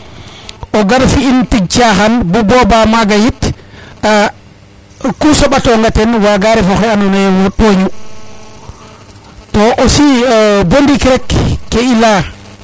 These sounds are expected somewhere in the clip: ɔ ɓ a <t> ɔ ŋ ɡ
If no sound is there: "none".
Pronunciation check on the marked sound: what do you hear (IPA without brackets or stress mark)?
t